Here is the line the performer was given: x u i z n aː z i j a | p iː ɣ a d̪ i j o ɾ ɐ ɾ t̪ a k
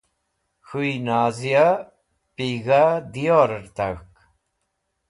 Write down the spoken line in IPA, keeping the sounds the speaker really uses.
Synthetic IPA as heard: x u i n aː z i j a | p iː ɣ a d̪ i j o ɾ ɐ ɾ t̪ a k

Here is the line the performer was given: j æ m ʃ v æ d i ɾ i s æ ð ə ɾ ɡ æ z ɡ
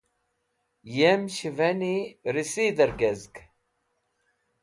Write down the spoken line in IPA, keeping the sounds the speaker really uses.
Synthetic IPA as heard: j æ m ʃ v æ n i ɾ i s i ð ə ɾ ɡ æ z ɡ

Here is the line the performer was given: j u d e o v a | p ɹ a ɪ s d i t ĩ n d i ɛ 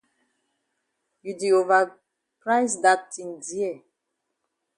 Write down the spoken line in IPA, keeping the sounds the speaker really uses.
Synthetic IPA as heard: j u d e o v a | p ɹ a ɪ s d a t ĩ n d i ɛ

